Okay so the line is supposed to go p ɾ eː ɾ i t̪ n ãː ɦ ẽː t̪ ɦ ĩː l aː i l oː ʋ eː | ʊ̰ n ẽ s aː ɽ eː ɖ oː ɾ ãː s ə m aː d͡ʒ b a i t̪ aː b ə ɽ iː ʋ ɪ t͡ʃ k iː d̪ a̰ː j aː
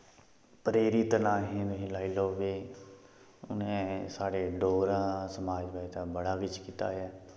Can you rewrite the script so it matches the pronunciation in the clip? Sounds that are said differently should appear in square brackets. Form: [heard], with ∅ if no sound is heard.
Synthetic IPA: p ɾ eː ɾ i t̪ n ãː ɦ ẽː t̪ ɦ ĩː l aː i l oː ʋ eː | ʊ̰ n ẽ s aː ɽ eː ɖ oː ɾ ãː s ə m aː d͡ʒ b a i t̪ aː b ə ɽ [aː] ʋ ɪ t͡ʃ k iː [t̪] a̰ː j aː